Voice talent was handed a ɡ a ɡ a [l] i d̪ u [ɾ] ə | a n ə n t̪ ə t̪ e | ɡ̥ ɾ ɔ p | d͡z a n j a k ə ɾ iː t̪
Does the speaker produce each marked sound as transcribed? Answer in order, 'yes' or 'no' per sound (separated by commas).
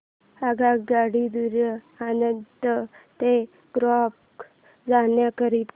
no, yes